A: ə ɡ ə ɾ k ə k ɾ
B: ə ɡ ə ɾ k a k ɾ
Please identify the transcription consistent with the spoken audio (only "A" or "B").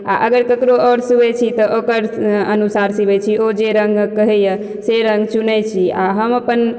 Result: A